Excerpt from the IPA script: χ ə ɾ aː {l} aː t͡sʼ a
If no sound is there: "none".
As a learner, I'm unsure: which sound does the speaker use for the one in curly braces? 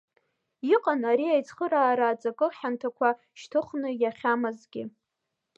ɾ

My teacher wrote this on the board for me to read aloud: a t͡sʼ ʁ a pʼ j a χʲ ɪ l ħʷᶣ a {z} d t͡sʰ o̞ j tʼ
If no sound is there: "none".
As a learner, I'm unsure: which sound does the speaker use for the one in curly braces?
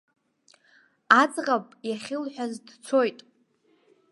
z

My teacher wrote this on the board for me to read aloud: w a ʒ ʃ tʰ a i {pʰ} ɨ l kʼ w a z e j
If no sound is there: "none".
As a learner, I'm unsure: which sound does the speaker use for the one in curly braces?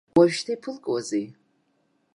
pʰ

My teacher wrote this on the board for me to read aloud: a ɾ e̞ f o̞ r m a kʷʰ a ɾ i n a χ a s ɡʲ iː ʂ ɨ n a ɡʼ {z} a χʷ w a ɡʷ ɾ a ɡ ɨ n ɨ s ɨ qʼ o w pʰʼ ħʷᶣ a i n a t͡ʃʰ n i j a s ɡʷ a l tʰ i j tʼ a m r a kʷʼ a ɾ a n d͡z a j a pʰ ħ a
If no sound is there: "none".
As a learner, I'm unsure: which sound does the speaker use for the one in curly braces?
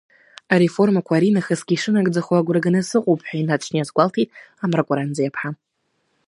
d͡z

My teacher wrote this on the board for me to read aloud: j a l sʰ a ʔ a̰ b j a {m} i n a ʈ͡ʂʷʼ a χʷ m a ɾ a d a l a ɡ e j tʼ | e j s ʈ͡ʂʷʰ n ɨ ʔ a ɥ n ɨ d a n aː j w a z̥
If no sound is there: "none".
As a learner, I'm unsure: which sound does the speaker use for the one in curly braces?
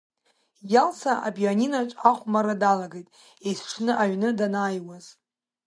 n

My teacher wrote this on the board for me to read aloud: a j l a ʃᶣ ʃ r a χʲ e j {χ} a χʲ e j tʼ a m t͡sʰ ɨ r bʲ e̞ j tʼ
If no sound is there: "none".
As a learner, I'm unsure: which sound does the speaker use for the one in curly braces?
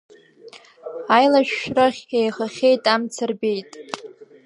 χ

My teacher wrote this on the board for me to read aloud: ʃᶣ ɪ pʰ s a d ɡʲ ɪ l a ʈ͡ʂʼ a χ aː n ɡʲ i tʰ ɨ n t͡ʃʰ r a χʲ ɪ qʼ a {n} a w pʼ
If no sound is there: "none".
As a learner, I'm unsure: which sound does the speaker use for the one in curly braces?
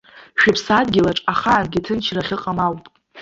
m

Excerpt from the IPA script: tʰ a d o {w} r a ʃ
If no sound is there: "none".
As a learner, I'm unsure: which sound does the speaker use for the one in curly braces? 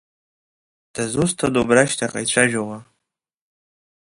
b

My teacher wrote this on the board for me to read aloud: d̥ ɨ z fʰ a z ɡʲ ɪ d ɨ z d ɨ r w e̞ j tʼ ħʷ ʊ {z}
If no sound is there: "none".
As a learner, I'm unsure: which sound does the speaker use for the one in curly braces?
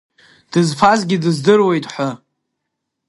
none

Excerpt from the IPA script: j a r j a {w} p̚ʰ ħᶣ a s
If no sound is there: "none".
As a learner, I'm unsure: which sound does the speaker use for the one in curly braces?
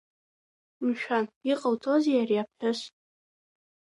none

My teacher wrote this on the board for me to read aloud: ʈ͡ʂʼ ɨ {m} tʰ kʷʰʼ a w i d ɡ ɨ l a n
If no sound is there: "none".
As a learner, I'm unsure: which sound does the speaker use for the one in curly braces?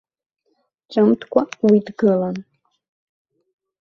m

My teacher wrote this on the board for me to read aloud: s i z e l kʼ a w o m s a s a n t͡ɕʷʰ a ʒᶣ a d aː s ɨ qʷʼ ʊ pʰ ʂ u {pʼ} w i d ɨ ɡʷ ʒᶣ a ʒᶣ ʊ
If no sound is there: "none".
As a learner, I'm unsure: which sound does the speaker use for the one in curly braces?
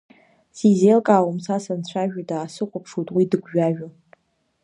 tʼ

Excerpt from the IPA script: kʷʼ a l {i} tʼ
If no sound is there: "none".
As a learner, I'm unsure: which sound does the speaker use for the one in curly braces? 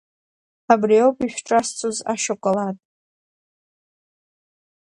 a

